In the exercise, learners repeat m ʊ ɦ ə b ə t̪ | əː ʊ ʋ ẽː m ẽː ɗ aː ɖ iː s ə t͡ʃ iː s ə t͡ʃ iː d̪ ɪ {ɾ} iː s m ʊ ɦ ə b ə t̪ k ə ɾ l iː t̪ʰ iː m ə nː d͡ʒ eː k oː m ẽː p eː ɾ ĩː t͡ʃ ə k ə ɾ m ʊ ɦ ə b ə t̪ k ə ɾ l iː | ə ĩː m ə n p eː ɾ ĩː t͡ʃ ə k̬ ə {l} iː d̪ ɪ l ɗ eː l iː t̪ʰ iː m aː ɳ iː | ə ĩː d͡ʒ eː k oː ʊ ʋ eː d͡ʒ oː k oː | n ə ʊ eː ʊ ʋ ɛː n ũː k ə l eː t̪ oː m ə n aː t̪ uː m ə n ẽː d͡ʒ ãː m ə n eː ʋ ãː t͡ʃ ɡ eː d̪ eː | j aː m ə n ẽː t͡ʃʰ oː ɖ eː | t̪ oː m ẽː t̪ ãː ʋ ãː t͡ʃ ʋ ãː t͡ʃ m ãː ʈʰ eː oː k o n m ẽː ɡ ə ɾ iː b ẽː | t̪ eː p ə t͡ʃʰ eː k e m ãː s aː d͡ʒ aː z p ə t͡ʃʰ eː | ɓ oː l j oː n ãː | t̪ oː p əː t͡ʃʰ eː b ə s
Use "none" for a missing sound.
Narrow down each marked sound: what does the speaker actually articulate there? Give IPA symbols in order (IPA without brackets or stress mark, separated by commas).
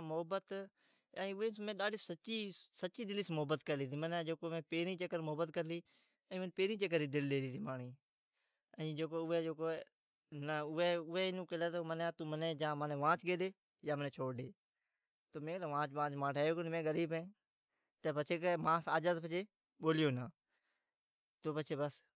l, ɾ